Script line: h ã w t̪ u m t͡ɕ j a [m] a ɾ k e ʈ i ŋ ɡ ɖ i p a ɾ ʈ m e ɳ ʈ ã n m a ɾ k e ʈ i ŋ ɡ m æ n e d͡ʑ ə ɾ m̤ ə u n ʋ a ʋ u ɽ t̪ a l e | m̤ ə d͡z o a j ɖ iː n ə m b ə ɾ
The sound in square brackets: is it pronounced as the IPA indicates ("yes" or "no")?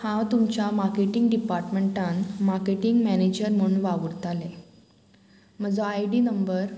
yes